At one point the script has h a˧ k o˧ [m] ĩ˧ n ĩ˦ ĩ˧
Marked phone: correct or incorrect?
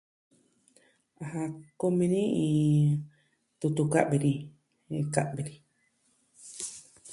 correct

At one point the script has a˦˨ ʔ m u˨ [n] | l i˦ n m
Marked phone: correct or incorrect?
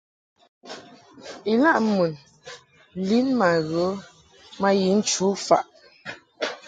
correct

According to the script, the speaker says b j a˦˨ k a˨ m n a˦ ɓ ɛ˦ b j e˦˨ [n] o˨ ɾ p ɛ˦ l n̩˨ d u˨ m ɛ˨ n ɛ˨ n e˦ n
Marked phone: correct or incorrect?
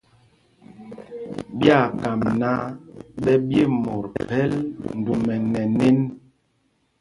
incorrect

